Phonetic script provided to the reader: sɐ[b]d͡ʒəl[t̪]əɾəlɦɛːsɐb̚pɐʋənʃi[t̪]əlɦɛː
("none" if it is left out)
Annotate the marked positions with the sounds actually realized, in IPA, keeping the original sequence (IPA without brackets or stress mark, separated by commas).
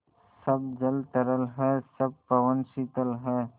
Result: b, t̪, t̪